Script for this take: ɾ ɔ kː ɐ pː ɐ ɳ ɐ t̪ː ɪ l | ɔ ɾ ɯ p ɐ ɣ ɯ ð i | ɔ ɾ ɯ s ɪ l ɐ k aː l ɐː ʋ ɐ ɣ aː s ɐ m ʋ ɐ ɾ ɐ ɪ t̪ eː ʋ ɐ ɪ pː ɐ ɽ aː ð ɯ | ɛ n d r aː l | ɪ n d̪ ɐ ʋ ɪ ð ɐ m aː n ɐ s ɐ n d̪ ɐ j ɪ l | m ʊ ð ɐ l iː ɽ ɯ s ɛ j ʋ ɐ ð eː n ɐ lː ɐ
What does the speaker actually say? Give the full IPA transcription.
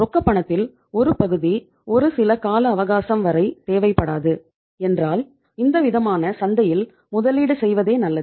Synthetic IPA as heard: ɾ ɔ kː ɐ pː ɐ ɳ ɐ t̪ː ɪ l | ɔ ɾ ɯ p ɐ ɣ ɯ ð i | ɔ ɾ ɯ s ɪ l ɐ k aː l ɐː ʋ ɐ ɣ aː s ɐ m ʋ ɐ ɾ ɐ ɪ t̪ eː ʋ ɐ ɪ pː ɐ ɽ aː ð ɯ | ɛ n d r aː l | ɪ n d̪ ɐ ʋ ɪ ð ɐ m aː n ɐ s ɐ n d̪ ɐ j ɪ l | m ʊ ð ɐ l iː ɽ ɯ s ɛ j ʋ ɐ ð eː n ɐ lː ɐ